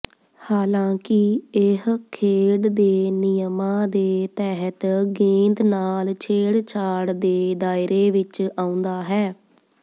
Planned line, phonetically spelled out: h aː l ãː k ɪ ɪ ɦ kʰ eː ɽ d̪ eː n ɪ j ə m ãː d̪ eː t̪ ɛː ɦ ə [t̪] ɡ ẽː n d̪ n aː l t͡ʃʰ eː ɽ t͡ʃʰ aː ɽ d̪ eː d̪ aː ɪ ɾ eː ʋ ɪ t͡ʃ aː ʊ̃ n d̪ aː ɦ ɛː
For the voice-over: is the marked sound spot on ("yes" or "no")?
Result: yes